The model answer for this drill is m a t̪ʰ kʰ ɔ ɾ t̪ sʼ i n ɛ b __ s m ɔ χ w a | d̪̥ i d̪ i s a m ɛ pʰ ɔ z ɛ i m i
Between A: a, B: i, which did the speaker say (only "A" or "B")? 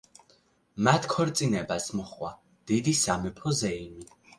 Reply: A